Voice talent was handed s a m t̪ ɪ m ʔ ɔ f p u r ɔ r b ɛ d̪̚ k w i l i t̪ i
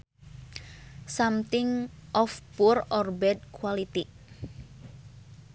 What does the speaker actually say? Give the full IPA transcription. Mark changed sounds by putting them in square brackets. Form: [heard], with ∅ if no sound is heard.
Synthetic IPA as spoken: s a m t̪ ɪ [ŋ] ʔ ɔ f p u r ɔ r b ɛ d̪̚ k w [a] l i t̪ i